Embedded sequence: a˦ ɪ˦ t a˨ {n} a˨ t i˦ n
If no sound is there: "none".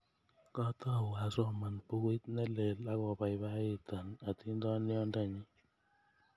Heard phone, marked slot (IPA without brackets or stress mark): n